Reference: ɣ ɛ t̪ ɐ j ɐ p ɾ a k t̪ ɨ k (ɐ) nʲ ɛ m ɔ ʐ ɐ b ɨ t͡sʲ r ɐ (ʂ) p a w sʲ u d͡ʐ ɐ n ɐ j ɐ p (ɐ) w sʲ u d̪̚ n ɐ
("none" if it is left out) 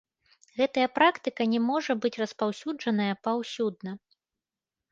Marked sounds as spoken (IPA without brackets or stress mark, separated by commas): ɐ, s, a